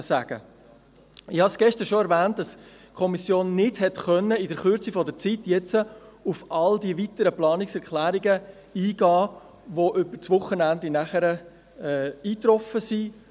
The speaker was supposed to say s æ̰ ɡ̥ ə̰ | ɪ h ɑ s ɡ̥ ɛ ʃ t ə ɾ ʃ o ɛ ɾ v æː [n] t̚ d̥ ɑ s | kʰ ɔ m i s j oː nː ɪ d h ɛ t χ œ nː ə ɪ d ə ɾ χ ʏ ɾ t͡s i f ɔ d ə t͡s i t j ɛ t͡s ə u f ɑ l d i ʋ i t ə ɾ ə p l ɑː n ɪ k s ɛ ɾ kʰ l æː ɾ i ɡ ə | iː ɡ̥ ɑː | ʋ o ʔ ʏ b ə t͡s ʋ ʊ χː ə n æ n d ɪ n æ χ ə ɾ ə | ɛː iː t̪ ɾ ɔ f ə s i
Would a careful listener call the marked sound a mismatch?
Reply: no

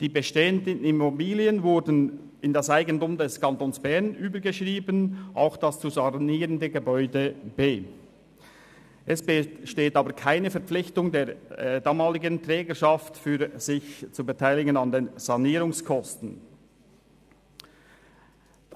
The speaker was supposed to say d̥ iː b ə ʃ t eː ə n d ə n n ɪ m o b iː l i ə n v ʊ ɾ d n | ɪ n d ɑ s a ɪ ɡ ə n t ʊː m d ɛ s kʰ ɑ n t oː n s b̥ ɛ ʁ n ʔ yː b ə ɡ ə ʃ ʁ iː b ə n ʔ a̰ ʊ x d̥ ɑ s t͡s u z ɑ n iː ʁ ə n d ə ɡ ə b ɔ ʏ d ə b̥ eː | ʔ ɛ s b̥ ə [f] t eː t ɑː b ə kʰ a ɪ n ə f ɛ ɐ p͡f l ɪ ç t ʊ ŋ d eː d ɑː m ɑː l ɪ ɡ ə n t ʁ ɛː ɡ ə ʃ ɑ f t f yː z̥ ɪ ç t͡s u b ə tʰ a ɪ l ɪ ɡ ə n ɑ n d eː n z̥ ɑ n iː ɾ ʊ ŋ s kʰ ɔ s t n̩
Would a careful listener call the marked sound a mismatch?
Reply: yes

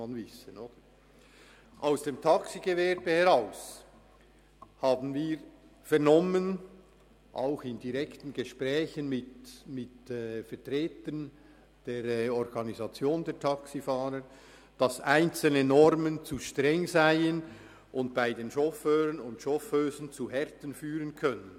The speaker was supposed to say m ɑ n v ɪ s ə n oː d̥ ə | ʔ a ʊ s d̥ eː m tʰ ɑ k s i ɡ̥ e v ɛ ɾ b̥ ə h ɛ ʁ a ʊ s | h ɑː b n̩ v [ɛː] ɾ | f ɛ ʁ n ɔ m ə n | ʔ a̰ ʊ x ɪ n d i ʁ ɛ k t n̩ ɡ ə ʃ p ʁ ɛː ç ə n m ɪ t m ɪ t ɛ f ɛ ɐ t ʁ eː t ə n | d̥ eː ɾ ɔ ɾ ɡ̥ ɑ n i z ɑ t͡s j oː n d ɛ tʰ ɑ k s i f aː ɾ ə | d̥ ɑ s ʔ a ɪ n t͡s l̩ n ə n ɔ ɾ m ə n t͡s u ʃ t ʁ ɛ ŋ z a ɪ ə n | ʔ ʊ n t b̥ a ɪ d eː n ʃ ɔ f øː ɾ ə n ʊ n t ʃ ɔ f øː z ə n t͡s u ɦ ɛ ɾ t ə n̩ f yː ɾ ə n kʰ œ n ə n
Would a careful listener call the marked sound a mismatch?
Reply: yes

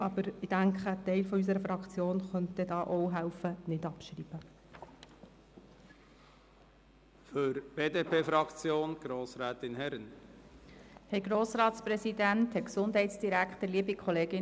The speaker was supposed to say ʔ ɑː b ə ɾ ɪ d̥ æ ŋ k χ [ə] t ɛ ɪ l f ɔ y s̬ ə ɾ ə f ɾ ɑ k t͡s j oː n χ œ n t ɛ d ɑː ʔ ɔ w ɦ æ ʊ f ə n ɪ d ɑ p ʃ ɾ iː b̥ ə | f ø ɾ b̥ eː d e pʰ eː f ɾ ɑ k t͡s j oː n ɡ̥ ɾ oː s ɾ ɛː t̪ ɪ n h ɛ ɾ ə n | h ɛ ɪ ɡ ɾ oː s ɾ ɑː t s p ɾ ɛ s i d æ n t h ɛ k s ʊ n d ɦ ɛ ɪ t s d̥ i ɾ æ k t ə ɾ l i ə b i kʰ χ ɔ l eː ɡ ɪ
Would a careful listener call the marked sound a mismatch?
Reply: no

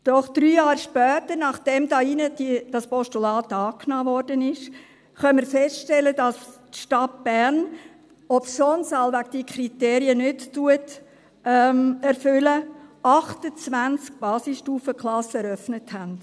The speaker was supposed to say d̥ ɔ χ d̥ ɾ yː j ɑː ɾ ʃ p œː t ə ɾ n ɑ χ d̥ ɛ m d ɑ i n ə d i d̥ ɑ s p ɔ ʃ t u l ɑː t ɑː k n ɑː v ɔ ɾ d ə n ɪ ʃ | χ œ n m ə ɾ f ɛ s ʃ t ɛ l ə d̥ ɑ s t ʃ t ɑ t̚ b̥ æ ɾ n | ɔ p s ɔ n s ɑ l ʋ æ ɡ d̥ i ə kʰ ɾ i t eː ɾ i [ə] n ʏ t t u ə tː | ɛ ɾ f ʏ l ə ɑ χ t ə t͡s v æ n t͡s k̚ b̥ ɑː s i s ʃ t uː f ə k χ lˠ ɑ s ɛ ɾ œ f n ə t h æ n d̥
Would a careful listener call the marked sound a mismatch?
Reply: no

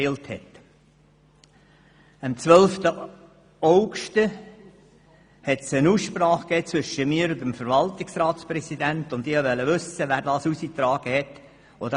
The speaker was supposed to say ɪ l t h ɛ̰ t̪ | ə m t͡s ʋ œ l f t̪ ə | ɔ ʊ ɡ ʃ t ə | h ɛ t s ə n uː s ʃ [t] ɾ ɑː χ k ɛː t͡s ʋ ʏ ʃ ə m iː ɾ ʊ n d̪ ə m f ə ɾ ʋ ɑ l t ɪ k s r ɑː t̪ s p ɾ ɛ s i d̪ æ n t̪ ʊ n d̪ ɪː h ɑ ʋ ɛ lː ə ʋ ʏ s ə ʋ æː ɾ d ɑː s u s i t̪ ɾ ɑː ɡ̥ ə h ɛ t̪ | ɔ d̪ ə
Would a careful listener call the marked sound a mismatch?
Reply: yes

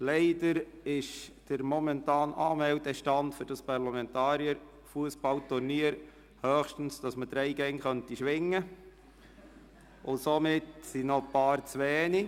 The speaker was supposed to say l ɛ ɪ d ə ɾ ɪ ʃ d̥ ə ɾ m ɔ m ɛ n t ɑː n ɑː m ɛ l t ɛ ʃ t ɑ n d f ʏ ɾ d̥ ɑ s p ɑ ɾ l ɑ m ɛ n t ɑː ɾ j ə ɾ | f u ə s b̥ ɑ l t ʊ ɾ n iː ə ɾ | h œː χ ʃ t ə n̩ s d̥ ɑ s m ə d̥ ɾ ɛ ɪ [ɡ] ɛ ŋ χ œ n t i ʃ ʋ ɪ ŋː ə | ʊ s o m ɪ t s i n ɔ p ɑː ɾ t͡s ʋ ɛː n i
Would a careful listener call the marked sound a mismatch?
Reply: no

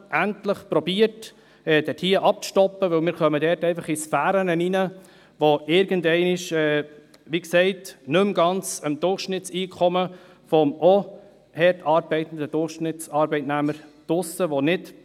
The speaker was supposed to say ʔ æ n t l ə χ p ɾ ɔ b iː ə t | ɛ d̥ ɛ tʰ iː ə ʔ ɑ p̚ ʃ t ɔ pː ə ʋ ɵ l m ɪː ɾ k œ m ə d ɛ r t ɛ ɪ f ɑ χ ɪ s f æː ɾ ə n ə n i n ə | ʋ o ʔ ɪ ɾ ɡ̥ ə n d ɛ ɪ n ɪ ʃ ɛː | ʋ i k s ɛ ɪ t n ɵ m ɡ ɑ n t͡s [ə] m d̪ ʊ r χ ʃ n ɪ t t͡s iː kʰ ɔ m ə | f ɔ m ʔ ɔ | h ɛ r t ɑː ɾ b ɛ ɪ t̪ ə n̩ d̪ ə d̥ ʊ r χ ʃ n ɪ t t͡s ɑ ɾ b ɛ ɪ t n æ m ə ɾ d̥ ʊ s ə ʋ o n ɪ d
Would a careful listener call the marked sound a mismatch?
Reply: no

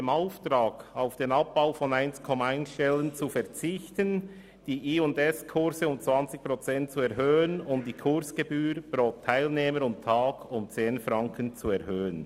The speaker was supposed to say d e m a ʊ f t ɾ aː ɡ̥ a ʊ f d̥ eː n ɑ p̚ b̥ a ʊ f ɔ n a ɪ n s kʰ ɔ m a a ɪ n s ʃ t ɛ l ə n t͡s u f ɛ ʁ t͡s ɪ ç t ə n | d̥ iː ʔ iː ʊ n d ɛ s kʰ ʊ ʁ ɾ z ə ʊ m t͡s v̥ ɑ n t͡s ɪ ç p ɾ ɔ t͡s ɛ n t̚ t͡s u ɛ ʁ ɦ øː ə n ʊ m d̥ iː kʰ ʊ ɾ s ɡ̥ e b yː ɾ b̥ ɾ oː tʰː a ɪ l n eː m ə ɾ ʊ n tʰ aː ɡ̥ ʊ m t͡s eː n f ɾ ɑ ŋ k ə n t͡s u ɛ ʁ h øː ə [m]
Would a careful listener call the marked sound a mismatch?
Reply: yes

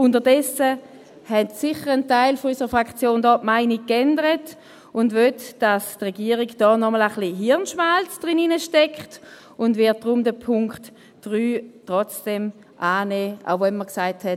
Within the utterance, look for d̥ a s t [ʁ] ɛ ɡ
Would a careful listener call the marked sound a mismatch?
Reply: no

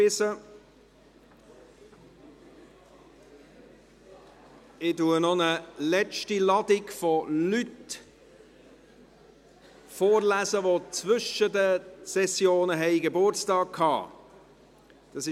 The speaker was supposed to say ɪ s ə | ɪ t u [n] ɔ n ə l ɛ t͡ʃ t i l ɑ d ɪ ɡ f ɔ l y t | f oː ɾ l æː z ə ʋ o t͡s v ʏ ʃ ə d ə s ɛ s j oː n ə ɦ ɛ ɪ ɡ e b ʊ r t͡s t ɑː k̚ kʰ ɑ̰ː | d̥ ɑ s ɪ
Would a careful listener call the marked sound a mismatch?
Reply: no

